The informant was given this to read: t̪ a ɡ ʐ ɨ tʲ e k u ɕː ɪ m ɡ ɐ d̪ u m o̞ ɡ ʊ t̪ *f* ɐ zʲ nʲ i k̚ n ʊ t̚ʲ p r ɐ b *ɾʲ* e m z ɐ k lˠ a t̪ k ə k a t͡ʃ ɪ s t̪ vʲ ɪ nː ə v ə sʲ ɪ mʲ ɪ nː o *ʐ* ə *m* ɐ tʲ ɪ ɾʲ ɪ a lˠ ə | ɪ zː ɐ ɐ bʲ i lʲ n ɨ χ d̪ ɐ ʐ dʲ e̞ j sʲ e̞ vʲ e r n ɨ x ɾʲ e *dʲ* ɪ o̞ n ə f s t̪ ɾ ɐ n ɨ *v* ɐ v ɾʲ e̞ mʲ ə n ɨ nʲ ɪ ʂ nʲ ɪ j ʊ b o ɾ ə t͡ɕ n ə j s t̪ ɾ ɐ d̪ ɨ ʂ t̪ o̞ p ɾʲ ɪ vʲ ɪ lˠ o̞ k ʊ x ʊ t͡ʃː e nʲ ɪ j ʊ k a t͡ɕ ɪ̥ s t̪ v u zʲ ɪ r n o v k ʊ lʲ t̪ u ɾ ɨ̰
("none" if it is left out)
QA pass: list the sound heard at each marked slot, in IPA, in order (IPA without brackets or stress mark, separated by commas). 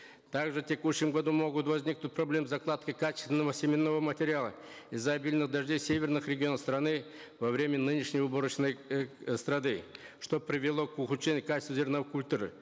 v, lʲ, v, m, ɡʲ, v